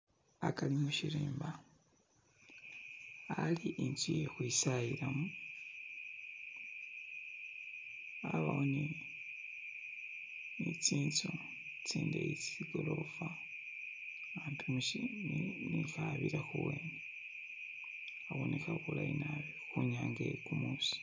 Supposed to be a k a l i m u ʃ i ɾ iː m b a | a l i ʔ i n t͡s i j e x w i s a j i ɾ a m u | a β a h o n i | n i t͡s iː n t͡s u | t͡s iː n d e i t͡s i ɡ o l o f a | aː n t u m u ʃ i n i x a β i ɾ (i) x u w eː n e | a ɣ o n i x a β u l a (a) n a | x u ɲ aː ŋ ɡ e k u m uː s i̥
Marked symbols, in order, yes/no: no, no

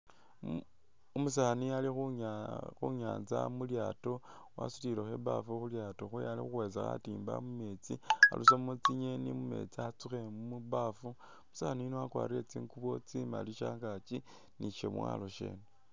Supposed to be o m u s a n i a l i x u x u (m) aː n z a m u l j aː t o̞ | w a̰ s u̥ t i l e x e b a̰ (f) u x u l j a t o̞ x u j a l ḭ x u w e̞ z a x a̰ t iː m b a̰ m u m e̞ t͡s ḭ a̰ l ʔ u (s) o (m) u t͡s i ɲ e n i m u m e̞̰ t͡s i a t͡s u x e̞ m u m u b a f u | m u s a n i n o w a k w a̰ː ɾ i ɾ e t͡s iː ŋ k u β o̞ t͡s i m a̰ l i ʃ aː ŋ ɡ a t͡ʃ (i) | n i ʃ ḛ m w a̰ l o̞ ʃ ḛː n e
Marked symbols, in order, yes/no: no, yes, yes, yes, yes

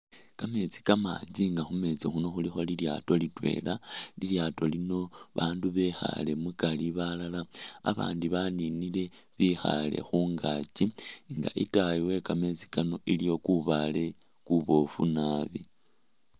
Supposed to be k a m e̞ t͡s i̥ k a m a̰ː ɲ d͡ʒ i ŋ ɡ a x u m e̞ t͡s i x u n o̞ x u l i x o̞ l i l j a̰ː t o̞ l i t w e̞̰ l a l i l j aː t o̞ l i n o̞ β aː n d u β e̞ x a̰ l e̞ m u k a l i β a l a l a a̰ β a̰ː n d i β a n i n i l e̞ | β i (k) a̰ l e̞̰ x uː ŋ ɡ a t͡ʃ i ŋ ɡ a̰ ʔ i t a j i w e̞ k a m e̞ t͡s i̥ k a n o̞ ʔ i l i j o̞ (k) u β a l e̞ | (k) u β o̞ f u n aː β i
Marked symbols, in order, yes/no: no, yes, yes

